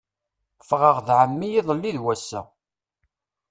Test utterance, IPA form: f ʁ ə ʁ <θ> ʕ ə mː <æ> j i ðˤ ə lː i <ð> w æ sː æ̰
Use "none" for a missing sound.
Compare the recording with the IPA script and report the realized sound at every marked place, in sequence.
ð, i, ð

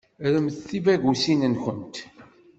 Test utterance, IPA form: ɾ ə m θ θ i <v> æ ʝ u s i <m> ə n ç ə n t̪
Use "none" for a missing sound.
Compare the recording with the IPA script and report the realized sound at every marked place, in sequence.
v, n

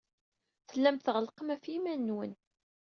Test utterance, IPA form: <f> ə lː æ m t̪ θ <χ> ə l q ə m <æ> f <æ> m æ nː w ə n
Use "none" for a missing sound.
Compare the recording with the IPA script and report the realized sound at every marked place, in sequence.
θ, ʁ, æ, i

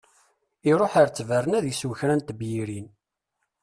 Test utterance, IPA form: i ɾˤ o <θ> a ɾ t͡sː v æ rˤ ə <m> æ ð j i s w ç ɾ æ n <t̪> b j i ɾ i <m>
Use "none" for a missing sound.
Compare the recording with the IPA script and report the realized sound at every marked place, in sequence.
ħ, n, t̪, n

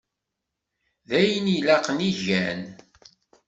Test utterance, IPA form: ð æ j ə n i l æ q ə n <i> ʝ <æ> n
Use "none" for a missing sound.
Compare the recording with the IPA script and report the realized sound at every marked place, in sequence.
i, æ

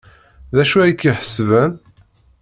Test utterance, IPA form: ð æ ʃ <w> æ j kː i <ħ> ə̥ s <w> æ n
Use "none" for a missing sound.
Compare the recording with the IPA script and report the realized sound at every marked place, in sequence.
u, ħ, v

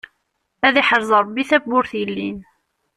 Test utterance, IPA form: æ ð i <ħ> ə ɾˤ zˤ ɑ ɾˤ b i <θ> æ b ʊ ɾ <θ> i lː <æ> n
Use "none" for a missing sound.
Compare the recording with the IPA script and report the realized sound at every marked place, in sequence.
ħ, θ, θ, i

